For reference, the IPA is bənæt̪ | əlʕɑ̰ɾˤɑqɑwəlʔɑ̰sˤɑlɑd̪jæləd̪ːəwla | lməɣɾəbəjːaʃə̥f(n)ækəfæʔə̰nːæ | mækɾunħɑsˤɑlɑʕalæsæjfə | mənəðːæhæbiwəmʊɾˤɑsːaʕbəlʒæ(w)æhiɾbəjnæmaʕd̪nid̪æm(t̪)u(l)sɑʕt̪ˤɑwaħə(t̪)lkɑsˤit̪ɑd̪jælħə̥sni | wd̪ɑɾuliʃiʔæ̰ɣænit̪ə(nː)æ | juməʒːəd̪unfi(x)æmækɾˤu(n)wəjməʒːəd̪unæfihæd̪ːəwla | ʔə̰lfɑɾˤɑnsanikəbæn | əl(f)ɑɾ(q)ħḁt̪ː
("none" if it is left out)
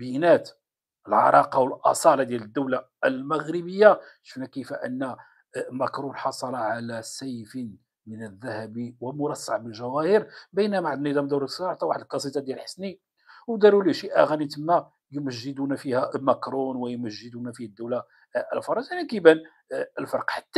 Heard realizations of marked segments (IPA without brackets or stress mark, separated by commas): n, w, d̪, ɾ, d̪, mː, h, n, f, q